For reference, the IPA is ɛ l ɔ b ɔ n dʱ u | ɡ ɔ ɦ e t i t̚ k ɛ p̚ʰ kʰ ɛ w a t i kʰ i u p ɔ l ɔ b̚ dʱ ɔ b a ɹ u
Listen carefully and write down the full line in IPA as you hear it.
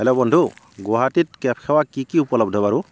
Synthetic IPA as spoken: ɛ l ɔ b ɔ n dʱ u | ɡ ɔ ɦ a t i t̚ k ɛ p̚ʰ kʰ ɛ w a k i k i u p ɔ l ɔ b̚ dʱ ɔ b a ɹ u